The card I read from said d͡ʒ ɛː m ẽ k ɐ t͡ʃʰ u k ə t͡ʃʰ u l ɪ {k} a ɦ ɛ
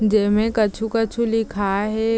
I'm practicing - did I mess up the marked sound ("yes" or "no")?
yes